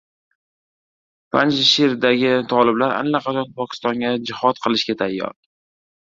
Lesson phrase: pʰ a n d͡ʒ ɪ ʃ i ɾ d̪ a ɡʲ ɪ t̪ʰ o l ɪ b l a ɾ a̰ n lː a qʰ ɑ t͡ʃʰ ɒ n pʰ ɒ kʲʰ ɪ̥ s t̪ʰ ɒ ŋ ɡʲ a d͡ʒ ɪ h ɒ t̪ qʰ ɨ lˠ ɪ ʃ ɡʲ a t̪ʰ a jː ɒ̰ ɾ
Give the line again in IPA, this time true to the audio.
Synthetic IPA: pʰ a n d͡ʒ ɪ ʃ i ɾ d̪ a ɡʲ ɪ t̪ʰ ɒ l ɪ b l a ɾ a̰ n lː a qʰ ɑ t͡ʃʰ ɒ n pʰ ɒ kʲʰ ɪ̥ s t̪ ɒ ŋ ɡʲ a d͡ʒ ɪ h ɒ t̪ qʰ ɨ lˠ ɪ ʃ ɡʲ a t̪ʰ a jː ɒ̰ ɾ